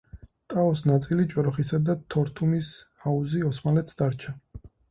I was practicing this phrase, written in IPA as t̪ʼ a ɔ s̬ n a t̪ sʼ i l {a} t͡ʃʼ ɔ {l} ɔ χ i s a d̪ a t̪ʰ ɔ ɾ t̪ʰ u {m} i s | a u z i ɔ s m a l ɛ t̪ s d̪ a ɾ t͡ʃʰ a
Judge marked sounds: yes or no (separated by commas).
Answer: no, no, yes